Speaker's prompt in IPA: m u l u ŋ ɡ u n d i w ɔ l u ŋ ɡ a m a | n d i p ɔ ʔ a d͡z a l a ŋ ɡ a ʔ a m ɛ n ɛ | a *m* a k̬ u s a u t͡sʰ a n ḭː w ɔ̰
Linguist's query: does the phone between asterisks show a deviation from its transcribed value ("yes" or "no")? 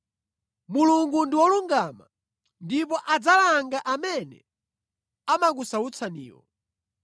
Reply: no